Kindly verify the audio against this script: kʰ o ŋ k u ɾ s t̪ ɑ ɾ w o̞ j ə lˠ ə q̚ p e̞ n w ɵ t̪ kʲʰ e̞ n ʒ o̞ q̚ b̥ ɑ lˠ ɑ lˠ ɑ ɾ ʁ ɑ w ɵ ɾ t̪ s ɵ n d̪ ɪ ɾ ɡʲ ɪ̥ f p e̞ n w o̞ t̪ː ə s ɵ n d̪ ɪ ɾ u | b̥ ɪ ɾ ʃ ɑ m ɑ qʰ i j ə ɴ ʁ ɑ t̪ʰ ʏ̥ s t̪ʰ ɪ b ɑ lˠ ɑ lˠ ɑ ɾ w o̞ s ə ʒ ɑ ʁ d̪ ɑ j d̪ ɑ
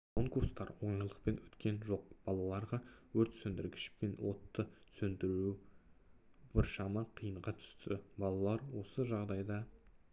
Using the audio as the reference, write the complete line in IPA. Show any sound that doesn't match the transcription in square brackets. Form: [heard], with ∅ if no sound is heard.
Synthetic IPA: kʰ o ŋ k u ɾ s t̪ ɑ ɾ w o̞ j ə lˠ ə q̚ p e̞ n w ɵ t̪ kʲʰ e̞ n ʒ o̞ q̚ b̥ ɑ lˠ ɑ lˠ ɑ ɾ ʁ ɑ w ɵ ɾ t̪ s ɵ n d̪ ɪ ɾ ɡʲ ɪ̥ [ʃ] p e̞ n w o̞ t̪ː ə s ɵ n d̪ ɪ ɾ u | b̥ ɪ ɾ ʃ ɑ m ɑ qʰ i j ə ɴ ʁ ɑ t̪ʰ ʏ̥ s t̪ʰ ɪ b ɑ lˠ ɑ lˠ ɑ ɾ w o̞ s ə ʒ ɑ ʁ d̪ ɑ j d̪ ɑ

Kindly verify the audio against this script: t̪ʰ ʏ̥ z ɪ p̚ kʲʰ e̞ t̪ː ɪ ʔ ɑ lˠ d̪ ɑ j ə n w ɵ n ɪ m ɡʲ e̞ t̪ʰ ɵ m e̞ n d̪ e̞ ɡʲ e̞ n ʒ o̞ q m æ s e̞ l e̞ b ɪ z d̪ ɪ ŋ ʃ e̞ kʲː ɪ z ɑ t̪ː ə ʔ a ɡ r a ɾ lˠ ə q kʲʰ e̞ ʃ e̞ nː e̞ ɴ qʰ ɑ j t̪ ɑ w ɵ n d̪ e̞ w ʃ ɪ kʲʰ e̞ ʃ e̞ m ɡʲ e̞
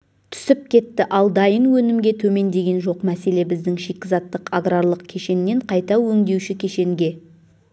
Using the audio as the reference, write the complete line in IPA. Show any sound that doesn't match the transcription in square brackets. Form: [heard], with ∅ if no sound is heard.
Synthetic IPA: t̪ʰ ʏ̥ [s] ɪ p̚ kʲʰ e̞ t̪ː ɪ ʔ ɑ lˠ d̪ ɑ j ə n w ɵ n ɪ m ɡʲ e̞ t̪ʰ ɵ m e̞ n d̪ e̞ ɡʲ e̞ n ʒ o̞ q m æ s e̞ l e̞ b ɪ z d̪ ɪ ŋ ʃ e̞ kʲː ɪ z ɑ t̪ː ə [q] a ɡ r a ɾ lˠ ə q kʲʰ e̞ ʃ e̞ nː e̞ ɴ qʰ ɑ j t̪ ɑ w ɵ [ŋ] d̪ e̞ w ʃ ɪ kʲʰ e̞ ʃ e̞ [ŋ] ɡʲ e̞

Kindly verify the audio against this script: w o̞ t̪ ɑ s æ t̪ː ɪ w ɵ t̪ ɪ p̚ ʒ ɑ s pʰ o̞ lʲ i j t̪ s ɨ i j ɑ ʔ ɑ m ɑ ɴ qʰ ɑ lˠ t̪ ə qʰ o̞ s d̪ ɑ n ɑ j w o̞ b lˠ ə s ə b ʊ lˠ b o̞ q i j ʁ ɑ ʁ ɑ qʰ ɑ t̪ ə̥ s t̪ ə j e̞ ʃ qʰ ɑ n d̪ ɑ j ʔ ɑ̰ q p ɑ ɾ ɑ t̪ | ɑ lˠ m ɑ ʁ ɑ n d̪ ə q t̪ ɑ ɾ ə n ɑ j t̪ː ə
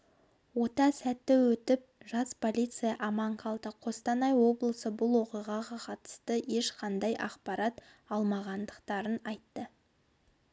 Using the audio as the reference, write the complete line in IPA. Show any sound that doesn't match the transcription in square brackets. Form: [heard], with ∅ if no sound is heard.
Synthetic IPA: w o̞ t̪ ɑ s æ t̪ː ɪ w ɵ t̪ ɪ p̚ ʒ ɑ s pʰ o̞ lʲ i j t̪ s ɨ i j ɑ ʔ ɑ m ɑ ɴ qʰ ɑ lˠ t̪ ə qʰ o̞ s [t̪] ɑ n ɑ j w o̞ b lˠ ə s ə b ʊ lˠ [w] o̞ q i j ʁ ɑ ʁ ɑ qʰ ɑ t̪ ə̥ s t̪ ə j e̞ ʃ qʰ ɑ n d̪ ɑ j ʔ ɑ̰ q p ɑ ɾ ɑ t̪ | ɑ lˠ m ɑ ʁ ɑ n d̪ ə q t̪ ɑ ɾ ə n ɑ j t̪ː ə

